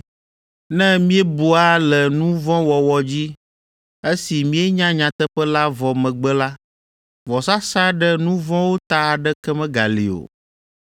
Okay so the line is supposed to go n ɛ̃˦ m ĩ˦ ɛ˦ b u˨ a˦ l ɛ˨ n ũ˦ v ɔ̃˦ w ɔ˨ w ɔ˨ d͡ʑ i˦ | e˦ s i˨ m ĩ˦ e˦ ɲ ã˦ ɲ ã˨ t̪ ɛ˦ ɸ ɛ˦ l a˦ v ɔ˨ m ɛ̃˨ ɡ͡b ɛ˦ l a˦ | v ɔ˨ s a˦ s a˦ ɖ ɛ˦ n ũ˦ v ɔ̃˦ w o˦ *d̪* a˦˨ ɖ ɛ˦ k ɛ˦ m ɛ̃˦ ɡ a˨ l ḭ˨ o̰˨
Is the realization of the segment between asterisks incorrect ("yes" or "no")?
yes